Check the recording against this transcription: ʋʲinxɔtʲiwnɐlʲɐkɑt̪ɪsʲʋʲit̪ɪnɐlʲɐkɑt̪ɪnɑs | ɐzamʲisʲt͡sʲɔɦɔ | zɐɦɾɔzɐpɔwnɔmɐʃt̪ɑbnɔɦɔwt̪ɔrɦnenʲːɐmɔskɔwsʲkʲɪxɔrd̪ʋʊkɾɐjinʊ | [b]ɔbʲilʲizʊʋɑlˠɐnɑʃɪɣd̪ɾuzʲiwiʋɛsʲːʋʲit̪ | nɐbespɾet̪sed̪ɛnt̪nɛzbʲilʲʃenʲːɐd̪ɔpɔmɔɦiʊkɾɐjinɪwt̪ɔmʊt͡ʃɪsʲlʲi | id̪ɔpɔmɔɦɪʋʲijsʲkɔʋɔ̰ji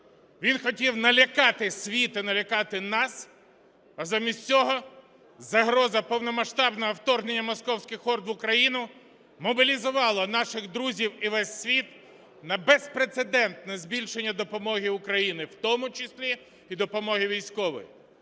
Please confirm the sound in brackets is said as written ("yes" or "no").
no